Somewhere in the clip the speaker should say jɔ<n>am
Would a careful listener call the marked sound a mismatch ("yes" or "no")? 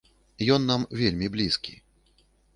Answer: yes